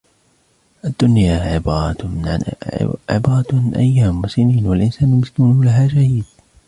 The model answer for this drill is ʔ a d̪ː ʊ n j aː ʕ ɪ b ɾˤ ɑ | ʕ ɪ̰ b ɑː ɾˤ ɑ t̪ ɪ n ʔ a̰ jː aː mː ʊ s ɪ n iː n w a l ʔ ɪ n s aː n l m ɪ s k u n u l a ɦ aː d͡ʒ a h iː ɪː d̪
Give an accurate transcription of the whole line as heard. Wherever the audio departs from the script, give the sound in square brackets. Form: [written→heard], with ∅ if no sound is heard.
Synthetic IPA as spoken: ʔ a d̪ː ʊ n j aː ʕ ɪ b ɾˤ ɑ | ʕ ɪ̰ b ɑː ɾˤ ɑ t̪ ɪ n ʔ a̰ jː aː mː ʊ s ɪ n iː n w a l ʔ ɪ n s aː n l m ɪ s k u n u l a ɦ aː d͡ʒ a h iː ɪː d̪